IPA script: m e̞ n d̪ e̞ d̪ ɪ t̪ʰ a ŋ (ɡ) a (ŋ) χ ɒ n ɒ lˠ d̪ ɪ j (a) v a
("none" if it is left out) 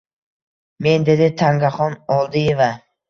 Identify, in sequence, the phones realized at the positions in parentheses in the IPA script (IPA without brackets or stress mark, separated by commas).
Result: ɡ, none, e